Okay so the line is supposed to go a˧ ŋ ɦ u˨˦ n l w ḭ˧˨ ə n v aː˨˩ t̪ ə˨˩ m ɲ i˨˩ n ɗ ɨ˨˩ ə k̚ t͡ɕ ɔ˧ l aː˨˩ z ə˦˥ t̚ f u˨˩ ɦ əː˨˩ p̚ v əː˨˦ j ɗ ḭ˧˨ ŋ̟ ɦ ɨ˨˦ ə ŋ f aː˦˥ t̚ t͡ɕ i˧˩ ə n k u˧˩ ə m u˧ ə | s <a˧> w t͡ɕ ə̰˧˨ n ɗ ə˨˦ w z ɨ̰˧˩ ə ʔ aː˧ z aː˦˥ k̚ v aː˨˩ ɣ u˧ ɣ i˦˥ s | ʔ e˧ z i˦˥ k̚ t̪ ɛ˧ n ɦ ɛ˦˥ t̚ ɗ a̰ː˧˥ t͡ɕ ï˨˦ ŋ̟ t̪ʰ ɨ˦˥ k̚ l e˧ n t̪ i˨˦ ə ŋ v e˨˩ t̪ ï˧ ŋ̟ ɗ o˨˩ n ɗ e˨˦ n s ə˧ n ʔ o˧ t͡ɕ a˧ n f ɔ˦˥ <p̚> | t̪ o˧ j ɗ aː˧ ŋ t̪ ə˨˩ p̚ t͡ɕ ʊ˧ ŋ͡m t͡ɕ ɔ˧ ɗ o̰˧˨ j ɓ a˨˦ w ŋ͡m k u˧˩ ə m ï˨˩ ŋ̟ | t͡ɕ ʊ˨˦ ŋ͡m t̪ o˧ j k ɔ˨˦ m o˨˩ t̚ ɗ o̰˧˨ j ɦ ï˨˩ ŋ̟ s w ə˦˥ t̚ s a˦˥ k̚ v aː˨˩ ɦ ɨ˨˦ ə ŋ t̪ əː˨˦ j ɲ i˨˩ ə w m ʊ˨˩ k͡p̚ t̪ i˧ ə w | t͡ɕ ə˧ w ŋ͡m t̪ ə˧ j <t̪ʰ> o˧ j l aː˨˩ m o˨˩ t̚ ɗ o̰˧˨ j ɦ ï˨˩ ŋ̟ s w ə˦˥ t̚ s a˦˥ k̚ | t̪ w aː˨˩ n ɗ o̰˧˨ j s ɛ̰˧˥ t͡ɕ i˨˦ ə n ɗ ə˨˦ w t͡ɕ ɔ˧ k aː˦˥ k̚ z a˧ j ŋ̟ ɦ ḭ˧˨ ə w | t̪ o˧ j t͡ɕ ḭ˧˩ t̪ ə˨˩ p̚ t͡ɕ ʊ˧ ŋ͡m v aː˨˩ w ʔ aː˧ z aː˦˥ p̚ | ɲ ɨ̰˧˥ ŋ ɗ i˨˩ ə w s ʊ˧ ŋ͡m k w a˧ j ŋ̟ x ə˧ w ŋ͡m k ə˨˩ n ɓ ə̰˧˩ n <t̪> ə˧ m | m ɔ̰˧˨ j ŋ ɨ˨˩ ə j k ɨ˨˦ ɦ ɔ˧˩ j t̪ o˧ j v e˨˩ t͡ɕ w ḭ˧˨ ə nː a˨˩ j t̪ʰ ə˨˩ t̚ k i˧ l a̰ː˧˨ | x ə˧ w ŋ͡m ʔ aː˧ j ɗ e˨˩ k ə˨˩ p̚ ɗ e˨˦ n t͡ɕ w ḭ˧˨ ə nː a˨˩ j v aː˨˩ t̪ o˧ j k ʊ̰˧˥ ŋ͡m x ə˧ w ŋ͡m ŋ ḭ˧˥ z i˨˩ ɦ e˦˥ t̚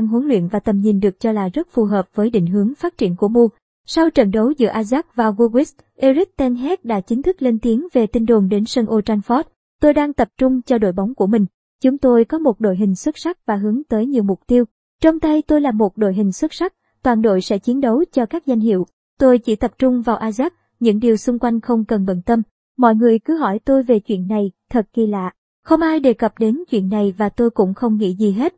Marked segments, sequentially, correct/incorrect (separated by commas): correct, incorrect, incorrect, correct